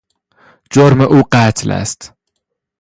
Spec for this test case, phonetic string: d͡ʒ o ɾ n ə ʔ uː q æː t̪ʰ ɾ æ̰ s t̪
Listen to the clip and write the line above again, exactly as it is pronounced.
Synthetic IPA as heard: d͡ʒ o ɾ m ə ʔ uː q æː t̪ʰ l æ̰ s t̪